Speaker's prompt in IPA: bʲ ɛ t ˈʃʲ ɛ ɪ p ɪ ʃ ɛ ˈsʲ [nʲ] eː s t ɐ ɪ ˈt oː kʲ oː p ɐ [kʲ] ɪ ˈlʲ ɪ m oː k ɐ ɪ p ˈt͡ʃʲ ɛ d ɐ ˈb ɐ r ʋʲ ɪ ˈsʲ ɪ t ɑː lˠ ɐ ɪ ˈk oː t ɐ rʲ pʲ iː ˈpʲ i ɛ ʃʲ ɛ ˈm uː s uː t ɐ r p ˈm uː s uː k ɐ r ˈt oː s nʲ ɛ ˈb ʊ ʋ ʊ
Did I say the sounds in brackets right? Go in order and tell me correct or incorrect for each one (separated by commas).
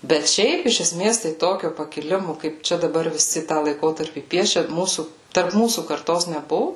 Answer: incorrect, correct